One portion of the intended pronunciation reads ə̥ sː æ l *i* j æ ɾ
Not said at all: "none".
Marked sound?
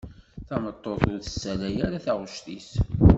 æ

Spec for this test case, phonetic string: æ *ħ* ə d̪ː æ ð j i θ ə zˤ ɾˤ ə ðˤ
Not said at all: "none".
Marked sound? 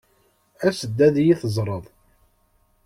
s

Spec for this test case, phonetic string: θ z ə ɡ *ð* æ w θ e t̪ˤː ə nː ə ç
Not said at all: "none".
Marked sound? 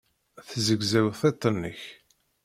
z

